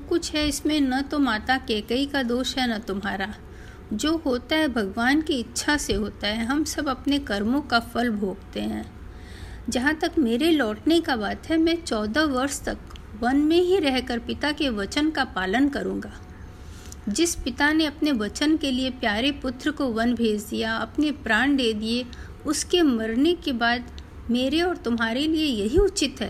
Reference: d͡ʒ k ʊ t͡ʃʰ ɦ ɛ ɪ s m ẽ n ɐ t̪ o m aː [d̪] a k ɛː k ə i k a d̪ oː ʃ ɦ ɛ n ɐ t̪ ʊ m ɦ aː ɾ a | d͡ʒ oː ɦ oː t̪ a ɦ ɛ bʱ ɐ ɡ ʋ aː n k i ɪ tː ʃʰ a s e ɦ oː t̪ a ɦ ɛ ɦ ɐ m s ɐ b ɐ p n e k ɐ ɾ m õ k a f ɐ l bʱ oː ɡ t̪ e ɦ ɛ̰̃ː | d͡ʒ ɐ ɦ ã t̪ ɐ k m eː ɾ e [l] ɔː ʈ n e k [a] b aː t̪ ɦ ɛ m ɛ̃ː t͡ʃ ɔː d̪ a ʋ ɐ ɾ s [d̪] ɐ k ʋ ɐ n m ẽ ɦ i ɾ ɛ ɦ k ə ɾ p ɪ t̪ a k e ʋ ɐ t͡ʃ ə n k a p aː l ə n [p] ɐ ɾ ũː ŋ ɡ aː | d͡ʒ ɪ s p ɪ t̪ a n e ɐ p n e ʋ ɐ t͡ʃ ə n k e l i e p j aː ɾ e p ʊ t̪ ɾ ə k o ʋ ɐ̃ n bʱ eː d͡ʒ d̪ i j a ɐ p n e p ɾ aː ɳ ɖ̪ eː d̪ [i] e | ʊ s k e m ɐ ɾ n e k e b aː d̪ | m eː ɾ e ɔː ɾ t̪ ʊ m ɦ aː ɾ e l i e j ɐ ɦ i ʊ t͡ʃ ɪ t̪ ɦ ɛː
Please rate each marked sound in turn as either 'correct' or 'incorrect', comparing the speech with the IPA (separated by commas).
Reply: incorrect, correct, correct, incorrect, incorrect, correct